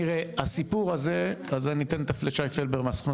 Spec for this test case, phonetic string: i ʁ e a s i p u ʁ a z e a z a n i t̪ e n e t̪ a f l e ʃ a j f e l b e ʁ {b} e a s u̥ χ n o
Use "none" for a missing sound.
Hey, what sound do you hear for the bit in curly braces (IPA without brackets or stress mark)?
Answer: m